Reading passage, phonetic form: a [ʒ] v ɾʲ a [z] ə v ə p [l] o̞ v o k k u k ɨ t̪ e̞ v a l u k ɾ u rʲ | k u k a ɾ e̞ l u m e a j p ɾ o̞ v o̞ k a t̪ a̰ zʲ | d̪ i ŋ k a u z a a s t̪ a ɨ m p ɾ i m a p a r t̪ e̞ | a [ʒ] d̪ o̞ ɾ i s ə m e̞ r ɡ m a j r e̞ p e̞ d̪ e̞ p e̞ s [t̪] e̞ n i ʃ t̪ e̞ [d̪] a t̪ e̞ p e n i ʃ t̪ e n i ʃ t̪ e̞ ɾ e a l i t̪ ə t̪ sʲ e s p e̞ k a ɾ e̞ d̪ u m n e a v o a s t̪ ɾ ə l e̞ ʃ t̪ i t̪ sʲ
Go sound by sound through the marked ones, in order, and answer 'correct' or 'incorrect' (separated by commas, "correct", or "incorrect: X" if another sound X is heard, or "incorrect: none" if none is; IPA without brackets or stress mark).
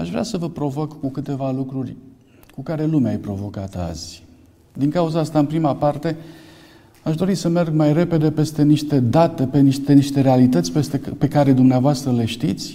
incorrect: ʃ, incorrect: s, incorrect: ɾ, incorrect: ʃ, correct, correct